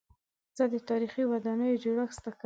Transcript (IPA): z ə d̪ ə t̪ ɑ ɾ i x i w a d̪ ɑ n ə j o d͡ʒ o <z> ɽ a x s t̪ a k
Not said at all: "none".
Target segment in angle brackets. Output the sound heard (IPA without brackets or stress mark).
none